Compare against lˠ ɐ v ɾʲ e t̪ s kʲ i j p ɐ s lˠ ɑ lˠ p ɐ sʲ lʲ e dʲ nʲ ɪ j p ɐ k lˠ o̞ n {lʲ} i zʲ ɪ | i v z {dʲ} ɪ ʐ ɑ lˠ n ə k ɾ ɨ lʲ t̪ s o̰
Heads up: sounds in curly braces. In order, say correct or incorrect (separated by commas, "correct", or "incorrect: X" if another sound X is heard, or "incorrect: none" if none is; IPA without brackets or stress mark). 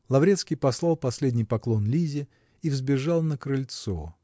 correct, incorrect: bʲ